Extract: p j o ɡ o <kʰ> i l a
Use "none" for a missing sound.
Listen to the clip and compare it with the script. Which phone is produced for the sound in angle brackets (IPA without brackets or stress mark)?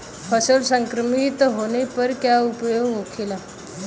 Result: kʰ